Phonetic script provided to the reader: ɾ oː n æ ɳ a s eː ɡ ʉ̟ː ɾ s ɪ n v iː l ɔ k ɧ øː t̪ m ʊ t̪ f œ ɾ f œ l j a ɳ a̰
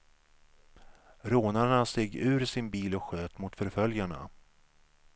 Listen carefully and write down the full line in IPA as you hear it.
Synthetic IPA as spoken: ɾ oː n a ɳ a s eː ɡ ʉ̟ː ɾ s ɪ n b iː l ɔ k ɧ øː t̪ m ʊ t̪ f œ ɾ f œ l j a ɳ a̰

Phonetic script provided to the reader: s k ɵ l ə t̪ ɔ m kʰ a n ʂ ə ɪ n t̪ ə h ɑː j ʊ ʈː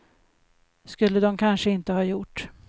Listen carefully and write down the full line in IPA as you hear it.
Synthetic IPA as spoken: s k ɵ lː ə d̪ ɔ m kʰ a n ʂ ə ɪ n t̪ ə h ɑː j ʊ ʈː

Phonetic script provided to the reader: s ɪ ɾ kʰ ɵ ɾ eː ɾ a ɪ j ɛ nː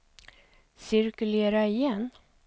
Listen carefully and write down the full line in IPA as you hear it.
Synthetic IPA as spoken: s ɪ ɾ k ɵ l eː ɾ a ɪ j ɛ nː

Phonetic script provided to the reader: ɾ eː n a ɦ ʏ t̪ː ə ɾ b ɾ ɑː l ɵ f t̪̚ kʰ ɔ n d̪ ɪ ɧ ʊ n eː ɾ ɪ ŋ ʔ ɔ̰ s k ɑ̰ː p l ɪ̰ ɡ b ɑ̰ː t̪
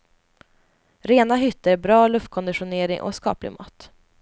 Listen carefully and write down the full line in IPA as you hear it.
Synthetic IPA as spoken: ɾ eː n a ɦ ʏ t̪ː ə ɾ b ɾ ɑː l ɵ f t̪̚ kʰ ɔ n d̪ ɪ ɧ ʊ n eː ɾ ɪ ŋ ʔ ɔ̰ s k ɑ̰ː p l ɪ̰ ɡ m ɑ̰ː t̪

